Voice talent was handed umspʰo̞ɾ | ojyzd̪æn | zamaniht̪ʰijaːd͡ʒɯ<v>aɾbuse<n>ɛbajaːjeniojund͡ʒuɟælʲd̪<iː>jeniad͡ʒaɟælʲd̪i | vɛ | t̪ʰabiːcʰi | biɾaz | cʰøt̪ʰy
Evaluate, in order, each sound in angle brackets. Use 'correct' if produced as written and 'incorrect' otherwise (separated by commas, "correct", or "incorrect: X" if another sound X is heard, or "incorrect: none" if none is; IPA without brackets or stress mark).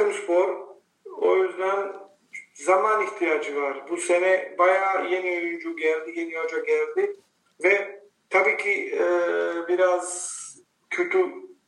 correct, correct, incorrect: i